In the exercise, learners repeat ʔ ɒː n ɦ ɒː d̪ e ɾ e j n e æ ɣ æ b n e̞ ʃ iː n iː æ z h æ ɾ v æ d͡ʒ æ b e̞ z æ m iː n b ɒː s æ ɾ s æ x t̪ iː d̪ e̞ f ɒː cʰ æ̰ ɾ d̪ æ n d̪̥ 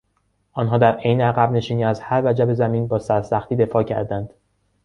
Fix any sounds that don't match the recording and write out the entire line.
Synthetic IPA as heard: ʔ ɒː n ɦ ɒː d̪ æ ɾ e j n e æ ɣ æ b n e̞ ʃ iː n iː æ z h æ ɾ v æ d͡ʒ æ b e̞ z æ m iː n b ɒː s æ ɾ s æ x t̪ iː d̪ e̞ f ɒː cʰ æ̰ ɾ d̪ æ n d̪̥